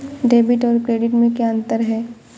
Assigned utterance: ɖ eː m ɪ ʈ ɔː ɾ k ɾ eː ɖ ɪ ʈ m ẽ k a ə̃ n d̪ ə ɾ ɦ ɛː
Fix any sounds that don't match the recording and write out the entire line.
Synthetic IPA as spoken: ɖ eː b ɪ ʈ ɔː ɾ k ɾ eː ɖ ɪ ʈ m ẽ k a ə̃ n t̪ ə ɾ ɦ ɛː